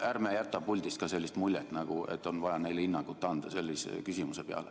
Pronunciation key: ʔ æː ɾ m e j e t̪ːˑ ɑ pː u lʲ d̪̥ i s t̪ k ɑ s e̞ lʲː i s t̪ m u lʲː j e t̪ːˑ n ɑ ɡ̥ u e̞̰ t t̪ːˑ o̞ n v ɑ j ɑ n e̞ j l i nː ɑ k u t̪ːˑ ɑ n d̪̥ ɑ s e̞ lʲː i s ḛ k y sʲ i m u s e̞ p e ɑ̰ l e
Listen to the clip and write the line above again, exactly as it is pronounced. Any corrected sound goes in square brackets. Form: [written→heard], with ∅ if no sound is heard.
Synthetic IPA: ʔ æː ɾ m e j [e→æ] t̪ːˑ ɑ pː u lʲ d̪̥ i s t̪ k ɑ s e̞ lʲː i s t̪ m u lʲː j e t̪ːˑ n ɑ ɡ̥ u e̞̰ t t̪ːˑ o̞ n v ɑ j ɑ n e̞ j l i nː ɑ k u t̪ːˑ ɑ n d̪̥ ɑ s e̞ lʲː i s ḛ k y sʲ i m u s e̞ p e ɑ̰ l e